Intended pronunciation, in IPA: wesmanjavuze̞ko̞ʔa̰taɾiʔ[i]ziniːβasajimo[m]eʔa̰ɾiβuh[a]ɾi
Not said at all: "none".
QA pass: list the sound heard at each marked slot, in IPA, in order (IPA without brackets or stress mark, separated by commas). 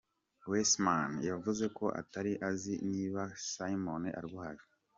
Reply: a, n, a